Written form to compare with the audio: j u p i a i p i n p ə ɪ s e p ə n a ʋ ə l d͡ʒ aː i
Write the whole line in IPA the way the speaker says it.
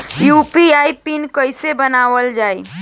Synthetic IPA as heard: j u p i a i p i n k ə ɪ s e b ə n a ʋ ə l d͡ʒ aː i